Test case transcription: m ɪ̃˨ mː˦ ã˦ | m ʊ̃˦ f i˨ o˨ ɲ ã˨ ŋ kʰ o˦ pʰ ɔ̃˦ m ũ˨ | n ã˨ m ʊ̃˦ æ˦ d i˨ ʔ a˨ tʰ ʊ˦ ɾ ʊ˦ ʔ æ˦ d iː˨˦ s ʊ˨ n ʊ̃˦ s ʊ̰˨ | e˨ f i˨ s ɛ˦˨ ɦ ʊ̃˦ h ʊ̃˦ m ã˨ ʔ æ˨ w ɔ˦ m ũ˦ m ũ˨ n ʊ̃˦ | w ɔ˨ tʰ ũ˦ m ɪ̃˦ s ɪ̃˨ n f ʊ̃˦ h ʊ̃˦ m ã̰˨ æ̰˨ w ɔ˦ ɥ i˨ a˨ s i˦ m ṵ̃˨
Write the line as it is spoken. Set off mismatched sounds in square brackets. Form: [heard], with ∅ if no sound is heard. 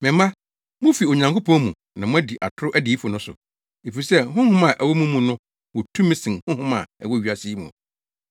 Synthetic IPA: m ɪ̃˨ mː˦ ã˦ | m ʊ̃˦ f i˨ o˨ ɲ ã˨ ŋ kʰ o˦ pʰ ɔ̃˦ m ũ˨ | n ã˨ m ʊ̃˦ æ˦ d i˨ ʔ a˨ tʰ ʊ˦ ɾ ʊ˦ ʔ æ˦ d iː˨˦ [f] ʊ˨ n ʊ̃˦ s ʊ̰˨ | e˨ f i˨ s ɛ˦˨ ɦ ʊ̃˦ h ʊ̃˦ m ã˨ ʔ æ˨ w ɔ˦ m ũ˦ m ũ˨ n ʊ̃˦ | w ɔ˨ tʰ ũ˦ m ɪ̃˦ s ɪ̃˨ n [h] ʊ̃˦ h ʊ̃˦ m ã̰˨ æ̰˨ w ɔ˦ ɥ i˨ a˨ s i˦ m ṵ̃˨